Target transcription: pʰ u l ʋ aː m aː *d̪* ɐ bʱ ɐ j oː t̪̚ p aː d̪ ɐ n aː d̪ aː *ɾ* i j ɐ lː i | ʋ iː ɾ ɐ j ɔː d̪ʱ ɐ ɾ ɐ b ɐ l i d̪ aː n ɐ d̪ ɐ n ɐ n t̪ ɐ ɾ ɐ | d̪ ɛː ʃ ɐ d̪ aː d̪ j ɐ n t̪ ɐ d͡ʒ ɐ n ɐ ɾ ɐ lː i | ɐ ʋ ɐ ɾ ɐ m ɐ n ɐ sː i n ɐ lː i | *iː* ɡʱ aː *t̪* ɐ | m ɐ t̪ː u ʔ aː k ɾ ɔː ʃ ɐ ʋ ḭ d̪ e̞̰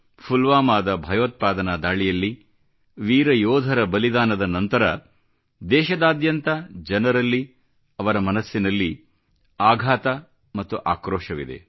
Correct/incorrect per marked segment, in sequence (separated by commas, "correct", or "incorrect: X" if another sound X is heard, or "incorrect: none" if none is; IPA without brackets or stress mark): correct, incorrect: ɭ, incorrect: aː, correct